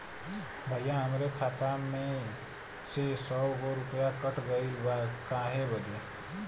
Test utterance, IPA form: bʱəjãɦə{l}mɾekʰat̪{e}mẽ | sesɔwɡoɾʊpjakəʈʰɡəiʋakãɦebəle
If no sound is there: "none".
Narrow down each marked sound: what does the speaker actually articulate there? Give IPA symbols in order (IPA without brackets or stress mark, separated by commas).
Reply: none, a